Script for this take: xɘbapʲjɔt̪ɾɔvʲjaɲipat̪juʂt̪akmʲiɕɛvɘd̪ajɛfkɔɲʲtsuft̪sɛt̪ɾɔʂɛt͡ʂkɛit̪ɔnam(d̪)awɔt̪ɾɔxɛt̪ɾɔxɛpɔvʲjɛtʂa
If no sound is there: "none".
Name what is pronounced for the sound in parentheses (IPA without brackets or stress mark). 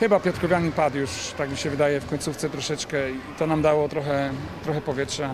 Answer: d̪